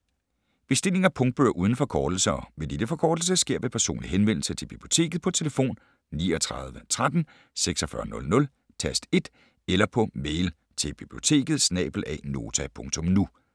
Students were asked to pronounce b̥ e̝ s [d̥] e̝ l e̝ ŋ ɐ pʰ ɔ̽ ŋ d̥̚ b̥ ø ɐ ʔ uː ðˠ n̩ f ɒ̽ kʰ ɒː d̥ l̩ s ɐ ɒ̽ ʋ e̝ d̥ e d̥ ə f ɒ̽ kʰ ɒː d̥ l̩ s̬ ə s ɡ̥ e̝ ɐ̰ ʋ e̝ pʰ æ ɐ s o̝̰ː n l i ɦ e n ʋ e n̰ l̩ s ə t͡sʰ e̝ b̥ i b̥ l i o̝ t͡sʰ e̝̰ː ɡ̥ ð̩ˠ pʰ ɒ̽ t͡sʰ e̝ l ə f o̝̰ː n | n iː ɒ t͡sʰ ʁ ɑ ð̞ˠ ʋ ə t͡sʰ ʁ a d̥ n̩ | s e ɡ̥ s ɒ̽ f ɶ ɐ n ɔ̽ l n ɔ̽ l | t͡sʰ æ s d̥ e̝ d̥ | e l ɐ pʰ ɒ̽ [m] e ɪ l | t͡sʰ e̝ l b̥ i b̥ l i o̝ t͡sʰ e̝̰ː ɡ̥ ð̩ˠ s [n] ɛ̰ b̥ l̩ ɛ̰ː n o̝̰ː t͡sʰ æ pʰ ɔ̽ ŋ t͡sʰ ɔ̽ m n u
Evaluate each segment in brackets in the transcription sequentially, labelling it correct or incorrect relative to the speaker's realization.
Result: correct, correct, correct

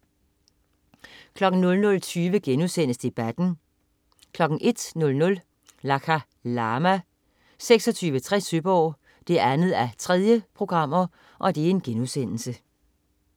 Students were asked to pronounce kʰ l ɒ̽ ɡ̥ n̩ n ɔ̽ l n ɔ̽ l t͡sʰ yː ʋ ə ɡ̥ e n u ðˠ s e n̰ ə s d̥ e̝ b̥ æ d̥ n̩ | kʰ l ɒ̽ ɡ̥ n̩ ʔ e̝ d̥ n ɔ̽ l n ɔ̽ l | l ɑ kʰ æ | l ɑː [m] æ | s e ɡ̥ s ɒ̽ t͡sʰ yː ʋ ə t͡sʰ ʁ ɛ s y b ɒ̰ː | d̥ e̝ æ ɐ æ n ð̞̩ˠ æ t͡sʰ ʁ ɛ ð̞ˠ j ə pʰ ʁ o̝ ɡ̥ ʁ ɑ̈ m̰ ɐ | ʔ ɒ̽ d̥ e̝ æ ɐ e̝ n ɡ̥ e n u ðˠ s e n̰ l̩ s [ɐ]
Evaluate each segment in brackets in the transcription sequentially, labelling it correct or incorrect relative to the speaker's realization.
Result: correct, incorrect

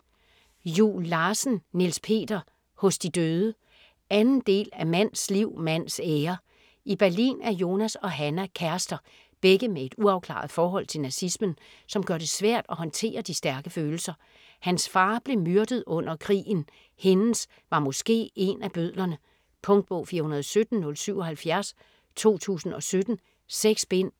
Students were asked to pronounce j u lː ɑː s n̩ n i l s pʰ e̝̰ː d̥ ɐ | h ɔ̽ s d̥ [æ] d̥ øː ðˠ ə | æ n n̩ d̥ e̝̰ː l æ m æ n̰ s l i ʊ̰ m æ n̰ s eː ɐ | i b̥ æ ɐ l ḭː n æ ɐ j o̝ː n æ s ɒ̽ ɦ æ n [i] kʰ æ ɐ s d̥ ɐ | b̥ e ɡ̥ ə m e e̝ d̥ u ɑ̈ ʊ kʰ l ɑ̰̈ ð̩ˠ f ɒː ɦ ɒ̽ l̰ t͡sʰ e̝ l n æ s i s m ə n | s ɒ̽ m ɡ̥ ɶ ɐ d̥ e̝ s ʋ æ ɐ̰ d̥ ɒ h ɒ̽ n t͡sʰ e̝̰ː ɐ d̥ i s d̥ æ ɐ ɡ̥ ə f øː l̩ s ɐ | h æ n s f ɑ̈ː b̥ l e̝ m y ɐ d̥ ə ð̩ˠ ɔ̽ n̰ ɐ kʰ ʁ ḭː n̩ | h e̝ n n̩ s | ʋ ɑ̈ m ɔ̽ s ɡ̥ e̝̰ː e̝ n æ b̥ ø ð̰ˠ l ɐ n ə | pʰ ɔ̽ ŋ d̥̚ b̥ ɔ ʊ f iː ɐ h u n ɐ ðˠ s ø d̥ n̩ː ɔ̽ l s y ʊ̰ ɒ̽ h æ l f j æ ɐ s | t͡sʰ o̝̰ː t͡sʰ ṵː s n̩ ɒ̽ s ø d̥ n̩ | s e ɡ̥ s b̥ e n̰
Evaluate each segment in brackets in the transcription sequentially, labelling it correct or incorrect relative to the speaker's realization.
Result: incorrect, incorrect

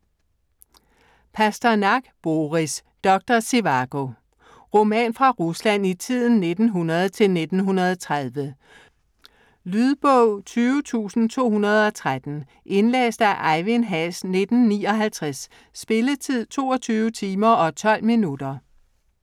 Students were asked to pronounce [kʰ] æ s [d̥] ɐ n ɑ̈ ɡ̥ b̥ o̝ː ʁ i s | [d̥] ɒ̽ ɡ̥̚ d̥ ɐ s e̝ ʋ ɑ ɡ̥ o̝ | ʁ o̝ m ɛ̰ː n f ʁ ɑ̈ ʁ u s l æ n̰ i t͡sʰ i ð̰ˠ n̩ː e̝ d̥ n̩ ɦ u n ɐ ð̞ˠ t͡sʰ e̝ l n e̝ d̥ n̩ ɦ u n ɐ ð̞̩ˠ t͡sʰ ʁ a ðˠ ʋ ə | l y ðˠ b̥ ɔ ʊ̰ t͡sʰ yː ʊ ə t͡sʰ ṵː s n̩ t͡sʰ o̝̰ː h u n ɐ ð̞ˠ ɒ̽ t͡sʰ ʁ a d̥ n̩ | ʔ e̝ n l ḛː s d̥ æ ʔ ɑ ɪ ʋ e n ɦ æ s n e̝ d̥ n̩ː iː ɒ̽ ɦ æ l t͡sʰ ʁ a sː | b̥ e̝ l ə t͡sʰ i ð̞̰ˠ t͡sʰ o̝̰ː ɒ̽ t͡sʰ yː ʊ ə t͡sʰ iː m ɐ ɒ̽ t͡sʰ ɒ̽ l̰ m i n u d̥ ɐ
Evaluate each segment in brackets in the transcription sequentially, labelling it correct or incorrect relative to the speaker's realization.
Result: incorrect, correct, correct

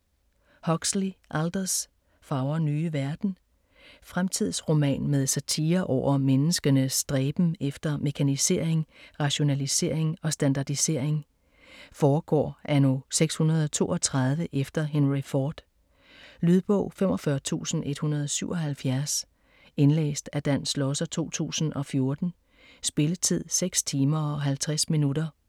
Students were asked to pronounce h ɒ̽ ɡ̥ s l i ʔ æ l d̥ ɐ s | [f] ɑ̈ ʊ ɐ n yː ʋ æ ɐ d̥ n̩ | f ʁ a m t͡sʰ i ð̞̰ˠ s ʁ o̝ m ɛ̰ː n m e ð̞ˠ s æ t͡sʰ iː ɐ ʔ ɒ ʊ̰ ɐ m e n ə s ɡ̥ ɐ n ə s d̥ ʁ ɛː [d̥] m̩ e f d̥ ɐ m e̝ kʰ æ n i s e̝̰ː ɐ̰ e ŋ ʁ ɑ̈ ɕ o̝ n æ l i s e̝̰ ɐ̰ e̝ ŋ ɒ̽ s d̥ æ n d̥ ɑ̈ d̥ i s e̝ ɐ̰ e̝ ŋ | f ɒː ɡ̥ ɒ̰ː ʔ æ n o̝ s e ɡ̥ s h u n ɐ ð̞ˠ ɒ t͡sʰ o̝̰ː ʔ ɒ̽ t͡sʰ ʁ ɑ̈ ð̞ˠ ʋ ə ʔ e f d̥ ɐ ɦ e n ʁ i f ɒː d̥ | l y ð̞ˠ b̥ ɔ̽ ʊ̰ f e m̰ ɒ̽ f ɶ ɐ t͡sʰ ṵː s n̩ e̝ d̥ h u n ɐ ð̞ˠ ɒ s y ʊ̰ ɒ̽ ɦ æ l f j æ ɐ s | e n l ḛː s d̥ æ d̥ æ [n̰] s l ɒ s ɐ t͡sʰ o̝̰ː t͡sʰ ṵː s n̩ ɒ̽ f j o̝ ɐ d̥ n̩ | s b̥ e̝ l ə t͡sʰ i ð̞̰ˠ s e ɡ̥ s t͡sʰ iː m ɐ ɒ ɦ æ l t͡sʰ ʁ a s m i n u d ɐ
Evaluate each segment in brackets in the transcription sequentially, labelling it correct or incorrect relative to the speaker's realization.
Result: correct, incorrect, correct

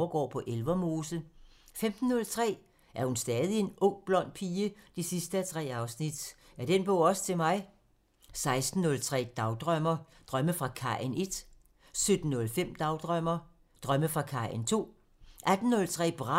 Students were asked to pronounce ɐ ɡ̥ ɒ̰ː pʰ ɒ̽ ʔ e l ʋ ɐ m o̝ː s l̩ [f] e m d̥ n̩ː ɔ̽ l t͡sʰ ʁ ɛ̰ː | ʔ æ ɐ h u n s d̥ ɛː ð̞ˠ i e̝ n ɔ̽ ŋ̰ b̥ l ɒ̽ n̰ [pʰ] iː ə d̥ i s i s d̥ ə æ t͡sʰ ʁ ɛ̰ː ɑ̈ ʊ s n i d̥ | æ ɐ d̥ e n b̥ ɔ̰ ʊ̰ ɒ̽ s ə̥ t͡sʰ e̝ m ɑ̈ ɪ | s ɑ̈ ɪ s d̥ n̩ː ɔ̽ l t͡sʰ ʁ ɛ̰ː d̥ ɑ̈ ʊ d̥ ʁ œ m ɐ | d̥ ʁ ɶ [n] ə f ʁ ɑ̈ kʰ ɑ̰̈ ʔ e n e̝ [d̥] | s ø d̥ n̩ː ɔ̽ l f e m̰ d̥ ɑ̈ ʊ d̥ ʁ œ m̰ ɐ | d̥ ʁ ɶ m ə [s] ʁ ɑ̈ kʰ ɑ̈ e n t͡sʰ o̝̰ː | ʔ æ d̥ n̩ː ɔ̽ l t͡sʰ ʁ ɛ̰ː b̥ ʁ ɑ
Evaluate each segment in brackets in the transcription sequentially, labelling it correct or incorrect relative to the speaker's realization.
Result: correct, correct, incorrect, correct, incorrect

